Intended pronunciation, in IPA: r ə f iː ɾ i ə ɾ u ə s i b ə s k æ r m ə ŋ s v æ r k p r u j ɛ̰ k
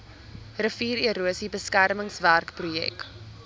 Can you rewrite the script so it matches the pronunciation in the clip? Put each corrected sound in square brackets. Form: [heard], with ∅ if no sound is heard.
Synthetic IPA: r ə f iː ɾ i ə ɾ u ə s i b ə s k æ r m ə ŋ s v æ r k p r u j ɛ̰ k